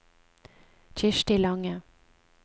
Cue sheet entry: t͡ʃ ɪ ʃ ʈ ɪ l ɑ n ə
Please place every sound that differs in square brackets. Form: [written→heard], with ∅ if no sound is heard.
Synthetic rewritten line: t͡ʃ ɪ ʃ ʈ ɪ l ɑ [n→ŋ] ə